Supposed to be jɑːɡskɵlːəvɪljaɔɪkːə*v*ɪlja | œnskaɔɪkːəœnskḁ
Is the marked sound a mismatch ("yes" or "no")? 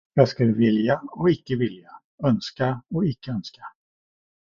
no